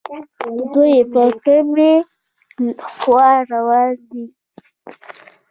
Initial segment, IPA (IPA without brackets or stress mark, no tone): d̪